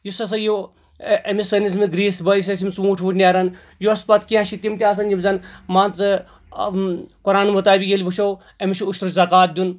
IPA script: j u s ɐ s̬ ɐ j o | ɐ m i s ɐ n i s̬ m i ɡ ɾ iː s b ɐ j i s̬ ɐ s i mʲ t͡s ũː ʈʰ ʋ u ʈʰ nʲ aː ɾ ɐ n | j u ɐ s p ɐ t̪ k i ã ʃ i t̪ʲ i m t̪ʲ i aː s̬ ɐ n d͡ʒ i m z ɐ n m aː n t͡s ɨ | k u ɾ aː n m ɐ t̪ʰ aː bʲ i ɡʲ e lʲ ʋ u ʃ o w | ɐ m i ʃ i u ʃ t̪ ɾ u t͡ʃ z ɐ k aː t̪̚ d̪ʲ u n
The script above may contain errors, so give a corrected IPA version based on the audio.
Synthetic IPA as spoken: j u s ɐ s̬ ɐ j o | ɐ m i s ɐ n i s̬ m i ɡ ɾ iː s b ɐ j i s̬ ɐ s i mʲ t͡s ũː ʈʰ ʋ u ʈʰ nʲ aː ɾ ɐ n | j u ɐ s p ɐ t̪ k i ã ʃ i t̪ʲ i m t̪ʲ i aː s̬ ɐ n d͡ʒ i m z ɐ n m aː n t͡s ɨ | k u ɾ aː n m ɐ t̪ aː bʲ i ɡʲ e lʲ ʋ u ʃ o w | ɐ m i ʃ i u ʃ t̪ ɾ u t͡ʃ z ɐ k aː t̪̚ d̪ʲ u n